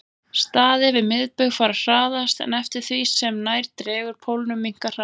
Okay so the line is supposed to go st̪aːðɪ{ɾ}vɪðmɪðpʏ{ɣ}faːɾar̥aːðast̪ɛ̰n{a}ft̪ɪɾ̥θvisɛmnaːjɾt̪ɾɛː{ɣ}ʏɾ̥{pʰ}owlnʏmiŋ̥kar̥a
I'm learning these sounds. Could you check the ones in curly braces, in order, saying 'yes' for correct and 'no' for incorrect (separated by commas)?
no, yes, no, yes, yes